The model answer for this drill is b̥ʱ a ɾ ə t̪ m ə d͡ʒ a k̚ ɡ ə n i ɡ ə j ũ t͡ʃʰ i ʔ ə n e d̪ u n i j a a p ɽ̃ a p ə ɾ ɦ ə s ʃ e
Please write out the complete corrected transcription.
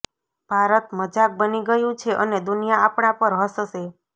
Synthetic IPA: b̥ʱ a ɾ ə t̪ m ə d͡ʒ a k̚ b ə n i ɡ ə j ũ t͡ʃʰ e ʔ ə n e d̪ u n i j a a p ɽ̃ a p ə ɾ ɦ ə s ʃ e